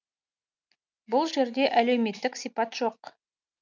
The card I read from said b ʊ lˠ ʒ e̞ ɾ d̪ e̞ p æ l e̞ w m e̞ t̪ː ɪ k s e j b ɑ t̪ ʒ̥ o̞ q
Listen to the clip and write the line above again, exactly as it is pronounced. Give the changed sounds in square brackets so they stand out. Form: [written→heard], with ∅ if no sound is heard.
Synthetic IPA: b ʊ lˠ ʒ e̞ ɾ d̪ e̞ [p→ʔ] æ l e̞ w m e̞ t̪ː ɪ k s [e→i] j [b→p] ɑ t̪ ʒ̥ o̞ q